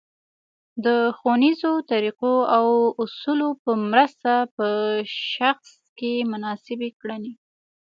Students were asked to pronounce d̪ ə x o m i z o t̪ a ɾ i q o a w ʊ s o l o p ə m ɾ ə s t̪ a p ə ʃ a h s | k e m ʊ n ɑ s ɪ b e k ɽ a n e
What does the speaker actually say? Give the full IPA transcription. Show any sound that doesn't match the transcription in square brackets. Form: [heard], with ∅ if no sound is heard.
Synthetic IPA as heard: d̪ ə x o [n] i z o t̪ a ɾ i q o a w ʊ s [u] l o p ə m ɾ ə s t̪ a p ə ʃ a [x] s | k e m ʊ n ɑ s ɪ b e k ɽ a n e